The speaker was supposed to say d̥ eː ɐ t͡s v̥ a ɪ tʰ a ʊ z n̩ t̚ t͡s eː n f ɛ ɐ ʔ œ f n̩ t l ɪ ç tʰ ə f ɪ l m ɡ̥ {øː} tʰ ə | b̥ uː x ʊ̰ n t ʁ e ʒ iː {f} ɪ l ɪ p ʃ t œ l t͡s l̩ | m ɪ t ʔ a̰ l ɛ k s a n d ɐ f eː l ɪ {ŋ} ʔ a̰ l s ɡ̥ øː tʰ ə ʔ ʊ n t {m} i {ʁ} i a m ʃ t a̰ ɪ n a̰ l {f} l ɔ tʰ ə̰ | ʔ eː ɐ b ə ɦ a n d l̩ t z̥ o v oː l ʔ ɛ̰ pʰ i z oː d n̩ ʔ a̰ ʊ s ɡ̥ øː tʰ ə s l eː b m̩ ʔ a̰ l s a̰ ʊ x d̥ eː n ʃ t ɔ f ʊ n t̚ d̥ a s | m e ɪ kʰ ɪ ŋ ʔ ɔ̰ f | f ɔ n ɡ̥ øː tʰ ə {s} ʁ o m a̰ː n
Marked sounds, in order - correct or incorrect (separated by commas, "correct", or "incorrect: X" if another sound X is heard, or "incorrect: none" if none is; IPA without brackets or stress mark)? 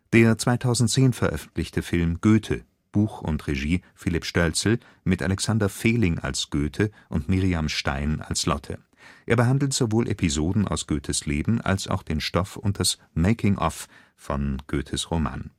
correct, correct, correct, correct, correct, incorrect: s, correct